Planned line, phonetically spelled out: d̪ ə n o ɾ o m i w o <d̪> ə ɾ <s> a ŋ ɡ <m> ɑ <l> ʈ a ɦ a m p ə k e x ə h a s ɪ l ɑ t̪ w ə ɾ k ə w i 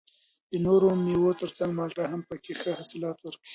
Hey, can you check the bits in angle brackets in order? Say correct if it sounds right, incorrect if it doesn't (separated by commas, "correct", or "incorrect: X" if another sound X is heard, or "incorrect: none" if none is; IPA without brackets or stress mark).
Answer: incorrect: t̪, incorrect: t͡s, correct, correct